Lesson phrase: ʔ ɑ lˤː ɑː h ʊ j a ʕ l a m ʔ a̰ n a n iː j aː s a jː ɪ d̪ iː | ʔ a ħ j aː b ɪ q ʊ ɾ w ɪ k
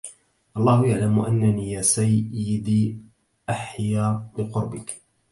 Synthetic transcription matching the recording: ʔ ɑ lˤː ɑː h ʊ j a ʕ l a m ʔ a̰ nː a n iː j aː s a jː ɪ d̪ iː | ʔ a ħ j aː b ɪ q ʊ ɾ b ɪ k